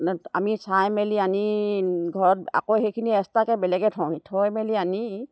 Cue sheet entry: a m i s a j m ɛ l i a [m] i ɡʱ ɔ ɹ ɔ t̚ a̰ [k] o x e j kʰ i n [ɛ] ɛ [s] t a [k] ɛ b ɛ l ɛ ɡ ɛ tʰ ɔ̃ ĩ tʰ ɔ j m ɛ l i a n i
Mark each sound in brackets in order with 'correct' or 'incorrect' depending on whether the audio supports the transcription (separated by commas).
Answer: incorrect, correct, incorrect, correct, correct